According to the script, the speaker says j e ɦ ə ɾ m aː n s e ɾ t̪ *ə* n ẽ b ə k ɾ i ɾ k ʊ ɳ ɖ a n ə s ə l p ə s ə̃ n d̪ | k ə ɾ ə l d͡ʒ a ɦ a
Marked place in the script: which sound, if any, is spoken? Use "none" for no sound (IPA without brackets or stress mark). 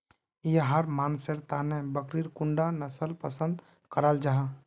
a